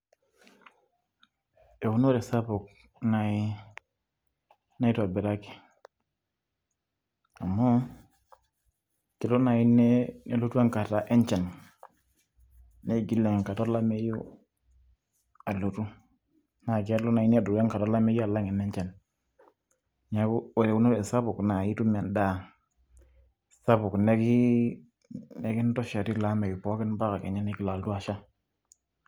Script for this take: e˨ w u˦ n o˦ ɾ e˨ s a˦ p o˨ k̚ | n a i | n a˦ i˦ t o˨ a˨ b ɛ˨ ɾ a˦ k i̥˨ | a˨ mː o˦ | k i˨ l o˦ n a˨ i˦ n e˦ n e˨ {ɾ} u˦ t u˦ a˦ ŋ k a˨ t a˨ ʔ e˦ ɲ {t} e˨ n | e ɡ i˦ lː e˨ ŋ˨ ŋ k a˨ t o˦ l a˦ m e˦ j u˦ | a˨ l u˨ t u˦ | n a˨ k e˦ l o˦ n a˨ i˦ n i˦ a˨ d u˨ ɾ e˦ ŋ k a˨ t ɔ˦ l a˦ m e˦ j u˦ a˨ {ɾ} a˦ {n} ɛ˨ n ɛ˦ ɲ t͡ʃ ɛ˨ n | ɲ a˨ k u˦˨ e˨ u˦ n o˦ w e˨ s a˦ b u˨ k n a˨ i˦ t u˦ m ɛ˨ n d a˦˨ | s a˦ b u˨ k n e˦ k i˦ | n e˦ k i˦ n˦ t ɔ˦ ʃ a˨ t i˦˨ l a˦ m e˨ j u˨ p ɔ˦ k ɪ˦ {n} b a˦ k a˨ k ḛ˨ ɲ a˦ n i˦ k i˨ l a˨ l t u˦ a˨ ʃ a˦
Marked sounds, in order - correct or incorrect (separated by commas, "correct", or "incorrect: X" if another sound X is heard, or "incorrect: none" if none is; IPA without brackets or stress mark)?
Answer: incorrect: l, incorrect: t͡ʃ, incorrect: l, incorrect: ŋ, correct